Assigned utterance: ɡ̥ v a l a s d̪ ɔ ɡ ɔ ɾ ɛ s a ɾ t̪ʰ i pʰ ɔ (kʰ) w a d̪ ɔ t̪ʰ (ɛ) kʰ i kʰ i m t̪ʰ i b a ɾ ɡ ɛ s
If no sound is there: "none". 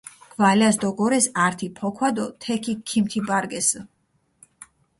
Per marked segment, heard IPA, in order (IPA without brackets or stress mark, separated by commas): kʰ, ɛ